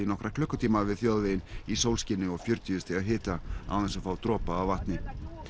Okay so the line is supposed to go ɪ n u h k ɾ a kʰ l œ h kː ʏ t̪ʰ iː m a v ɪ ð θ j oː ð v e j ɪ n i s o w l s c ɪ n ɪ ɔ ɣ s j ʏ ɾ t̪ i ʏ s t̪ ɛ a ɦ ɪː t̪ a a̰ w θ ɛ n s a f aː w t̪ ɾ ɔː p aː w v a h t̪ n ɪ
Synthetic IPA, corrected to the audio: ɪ n ɔ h k ɾ a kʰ l œ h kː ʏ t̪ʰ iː m a v ɪ ð θ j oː ð v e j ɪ n i s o w l s c ɪ n ɪ ɔ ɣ f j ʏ ɾ t̪ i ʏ s t̪ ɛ a ɦ ɪː t̪ a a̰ w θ ɛ n s a f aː w t̪ ɾ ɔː p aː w v a h t̪ n ɪ